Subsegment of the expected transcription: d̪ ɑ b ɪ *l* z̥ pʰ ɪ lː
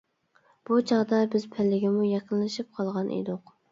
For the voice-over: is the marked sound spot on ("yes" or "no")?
no